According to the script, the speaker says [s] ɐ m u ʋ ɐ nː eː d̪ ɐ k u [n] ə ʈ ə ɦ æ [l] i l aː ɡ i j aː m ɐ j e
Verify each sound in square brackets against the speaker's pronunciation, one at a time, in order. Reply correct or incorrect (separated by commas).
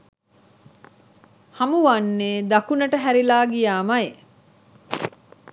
incorrect, correct, incorrect